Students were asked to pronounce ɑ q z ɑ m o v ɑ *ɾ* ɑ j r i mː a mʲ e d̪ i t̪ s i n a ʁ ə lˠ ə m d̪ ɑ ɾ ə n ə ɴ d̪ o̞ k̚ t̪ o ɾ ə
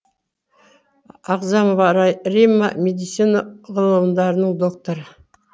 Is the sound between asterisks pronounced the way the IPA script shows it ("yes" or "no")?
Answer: yes